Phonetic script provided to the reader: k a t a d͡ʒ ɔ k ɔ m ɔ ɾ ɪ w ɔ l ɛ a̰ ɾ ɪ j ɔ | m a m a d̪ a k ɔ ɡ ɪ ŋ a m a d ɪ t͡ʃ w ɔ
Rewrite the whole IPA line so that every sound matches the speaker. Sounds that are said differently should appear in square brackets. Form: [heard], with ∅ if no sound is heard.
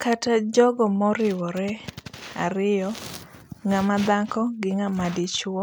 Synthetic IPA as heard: k a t a d͡ʒ ɔ [ɡ] ɔ m ɔ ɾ ɪ w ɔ [ɾ] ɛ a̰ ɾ ɪ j ɔ | [ŋ] a m a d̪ a k ɔ ɡ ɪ ŋ a m a d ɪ t͡ʃ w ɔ